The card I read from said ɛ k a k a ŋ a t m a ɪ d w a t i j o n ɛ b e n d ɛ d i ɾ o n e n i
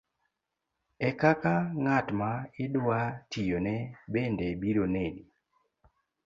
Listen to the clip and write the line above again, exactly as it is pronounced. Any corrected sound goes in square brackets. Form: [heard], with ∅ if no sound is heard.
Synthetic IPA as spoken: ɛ k a k a ŋ a t m a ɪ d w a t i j o n ɛ b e n d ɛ [b] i ɾ o n e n i